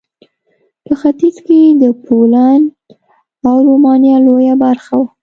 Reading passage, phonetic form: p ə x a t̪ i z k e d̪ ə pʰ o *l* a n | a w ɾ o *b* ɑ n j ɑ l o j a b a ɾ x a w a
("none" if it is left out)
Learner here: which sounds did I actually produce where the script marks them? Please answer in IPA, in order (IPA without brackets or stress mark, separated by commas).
l, m